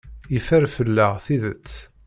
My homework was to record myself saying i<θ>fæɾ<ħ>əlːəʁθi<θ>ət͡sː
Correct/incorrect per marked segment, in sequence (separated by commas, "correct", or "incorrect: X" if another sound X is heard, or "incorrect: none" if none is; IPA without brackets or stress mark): incorrect: none, incorrect: f, incorrect: ð